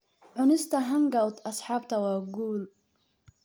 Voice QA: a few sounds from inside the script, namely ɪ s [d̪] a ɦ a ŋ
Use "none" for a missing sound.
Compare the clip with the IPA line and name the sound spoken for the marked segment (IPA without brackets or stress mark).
t̪